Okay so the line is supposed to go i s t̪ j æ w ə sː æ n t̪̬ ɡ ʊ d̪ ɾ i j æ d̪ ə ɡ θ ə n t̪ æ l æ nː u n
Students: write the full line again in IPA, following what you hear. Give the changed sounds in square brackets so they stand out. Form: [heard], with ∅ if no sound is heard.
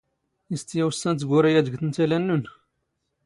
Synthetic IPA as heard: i s t̪ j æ w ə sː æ n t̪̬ ɡ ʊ [∅] ɾ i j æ d̪ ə ɡ θ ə n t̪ æ l æ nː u n